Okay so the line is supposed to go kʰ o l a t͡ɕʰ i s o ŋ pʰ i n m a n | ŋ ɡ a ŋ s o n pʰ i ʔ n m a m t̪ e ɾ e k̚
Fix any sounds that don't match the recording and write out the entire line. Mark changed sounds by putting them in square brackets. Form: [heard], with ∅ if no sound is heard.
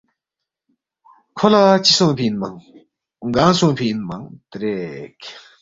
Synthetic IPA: kʰ o l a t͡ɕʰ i s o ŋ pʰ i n m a [ŋ] | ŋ ɡ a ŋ s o [ŋ] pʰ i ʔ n m a [ŋ] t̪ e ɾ e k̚